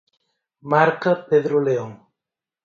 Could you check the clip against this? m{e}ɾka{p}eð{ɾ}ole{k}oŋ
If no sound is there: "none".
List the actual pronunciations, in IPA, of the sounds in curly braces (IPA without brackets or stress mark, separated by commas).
a, p, ɾ, none